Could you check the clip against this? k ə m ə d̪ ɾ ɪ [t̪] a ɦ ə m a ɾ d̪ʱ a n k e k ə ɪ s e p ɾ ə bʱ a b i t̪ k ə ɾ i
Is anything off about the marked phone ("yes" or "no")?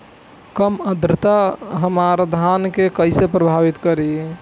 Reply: no